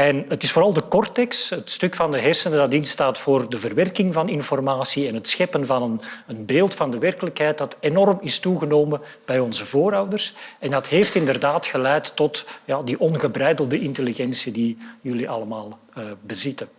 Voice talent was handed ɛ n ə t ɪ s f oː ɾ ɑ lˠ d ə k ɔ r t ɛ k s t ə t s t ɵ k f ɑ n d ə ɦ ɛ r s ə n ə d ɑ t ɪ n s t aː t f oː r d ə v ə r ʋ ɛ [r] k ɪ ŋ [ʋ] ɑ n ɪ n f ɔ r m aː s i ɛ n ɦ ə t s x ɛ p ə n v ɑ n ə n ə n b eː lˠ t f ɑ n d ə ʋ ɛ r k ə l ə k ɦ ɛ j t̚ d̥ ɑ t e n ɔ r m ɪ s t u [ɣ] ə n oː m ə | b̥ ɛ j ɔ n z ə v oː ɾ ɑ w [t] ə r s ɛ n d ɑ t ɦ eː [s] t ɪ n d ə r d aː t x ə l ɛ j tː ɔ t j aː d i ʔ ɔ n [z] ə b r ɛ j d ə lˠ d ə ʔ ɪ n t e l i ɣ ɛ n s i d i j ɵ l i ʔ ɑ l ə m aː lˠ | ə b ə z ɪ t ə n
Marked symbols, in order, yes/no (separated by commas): yes, no, yes, no, no, no